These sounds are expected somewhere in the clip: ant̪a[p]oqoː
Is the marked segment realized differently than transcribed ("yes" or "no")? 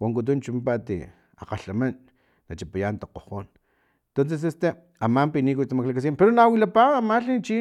yes